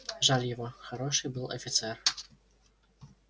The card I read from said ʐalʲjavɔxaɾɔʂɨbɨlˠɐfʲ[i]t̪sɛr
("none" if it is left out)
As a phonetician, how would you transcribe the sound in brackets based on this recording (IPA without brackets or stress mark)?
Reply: i